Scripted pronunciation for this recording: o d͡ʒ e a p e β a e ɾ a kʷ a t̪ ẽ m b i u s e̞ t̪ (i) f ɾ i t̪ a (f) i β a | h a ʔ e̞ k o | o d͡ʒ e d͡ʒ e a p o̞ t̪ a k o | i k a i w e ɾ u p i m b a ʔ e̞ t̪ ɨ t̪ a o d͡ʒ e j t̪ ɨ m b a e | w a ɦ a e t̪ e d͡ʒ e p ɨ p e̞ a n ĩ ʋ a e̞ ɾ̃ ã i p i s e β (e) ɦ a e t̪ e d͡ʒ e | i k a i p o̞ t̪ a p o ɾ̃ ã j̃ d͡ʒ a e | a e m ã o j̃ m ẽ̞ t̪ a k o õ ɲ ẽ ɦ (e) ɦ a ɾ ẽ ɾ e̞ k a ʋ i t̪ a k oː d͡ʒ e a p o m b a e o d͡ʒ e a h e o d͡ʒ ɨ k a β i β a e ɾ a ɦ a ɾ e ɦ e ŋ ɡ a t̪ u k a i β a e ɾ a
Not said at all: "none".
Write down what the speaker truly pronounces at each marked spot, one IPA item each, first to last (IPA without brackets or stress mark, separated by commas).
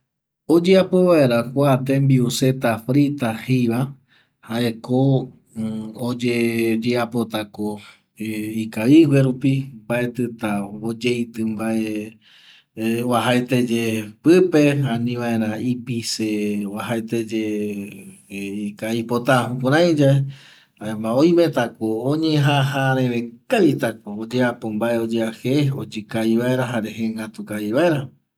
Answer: a, h, a, a